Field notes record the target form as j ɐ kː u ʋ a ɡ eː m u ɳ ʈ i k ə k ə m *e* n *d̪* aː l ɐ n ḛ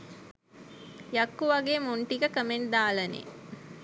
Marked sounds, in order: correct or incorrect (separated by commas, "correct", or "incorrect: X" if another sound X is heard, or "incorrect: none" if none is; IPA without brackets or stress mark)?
correct, correct